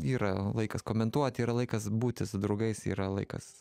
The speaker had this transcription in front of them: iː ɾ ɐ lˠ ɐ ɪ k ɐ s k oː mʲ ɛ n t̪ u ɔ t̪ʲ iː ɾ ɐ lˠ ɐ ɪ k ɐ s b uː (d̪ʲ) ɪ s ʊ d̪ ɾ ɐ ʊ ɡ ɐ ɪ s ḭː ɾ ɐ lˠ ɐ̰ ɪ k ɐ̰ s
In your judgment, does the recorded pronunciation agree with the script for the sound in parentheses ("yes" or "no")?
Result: no